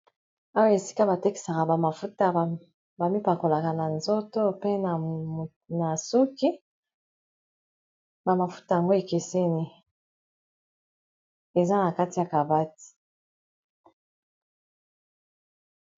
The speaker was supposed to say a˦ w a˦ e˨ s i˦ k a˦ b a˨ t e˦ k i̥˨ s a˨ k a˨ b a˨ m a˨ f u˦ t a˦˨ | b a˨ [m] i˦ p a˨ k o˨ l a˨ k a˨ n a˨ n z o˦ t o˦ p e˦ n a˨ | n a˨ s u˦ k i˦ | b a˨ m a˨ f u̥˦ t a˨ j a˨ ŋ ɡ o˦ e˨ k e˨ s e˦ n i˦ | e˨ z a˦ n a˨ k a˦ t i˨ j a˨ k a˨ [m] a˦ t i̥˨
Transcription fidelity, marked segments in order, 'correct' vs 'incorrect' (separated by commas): correct, incorrect